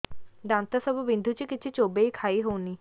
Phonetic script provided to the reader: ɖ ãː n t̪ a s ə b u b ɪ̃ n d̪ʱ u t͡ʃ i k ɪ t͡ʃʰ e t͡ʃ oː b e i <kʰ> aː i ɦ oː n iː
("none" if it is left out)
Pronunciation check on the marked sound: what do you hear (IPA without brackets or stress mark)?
kʰ